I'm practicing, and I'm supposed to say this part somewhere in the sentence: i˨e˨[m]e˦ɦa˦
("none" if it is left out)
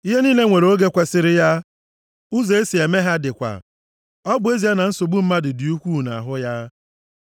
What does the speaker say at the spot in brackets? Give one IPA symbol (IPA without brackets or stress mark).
m